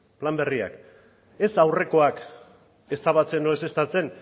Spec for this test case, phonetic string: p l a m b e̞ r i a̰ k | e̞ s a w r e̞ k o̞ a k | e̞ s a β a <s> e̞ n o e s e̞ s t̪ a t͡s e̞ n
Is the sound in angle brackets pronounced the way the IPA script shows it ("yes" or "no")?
no